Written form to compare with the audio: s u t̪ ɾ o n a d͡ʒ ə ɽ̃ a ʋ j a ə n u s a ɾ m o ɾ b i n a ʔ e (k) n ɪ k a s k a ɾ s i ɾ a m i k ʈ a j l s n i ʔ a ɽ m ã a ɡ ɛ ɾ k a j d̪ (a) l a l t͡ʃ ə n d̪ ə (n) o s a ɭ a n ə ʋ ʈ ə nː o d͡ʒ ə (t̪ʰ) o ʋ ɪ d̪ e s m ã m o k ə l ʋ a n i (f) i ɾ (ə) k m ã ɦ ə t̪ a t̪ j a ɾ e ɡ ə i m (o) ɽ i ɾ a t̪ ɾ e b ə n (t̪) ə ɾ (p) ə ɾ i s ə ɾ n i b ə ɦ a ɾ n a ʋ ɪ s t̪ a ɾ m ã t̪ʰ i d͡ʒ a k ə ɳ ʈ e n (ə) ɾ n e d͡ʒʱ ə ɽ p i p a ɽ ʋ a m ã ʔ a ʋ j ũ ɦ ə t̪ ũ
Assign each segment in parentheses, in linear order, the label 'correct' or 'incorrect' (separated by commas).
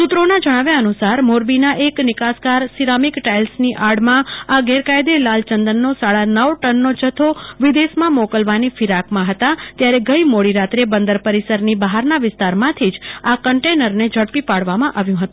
correct, incorrect, incorrect, correct, correct, incorrect, correct, incorrect, correct, correct